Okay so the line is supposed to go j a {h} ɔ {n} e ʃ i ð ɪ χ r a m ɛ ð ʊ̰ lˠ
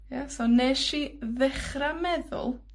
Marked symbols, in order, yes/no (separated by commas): no, yes